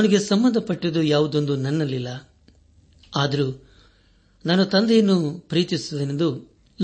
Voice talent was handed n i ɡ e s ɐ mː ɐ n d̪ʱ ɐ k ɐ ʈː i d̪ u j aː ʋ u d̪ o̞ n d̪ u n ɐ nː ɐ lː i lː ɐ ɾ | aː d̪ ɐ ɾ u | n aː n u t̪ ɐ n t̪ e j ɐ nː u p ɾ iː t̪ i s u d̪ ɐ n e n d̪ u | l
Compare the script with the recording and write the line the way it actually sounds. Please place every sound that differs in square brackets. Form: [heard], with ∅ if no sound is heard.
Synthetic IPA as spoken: n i ɡ e s ɐ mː ɐ n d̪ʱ ɐ [p] ɐ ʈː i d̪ u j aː ʋ u d̪ o̞ n d̪ u n ɐ nː ɐ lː i lː ɐ [∅] | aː d̪ ɐ ɾ u | n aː n u t̪ ɐ n [d̪] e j ɐ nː u p ɾ iː t̪ i s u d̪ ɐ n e n d̪ u | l